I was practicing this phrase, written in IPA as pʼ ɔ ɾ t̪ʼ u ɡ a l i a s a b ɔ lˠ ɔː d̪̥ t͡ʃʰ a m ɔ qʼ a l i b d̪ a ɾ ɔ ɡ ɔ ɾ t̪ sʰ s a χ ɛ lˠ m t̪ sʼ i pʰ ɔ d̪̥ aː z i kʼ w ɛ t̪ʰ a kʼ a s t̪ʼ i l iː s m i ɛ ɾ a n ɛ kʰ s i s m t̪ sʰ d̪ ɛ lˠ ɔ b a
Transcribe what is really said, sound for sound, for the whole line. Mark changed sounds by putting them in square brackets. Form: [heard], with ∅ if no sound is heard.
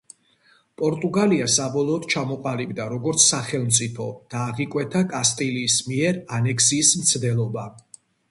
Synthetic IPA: pʼ ɔ ɾ t̪ʼ u ɡ a l i a s a b ɔ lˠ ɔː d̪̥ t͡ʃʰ a m ɔ qʼ a l i b d̪ a ɾ ɔ ɡ ɔ ɾ t̪ sʰ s a χ ɛ lˠ m t̪ sʼ i pʰ ɔ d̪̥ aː [ʁ] i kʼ w ɛ t̪ʰ a kʼ a s t̪ʼ i l iː s m i ɛ ɾ a n ɛ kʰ s [iː] s m t̪ sʰ d̪ ɛ lˠ ɔ b a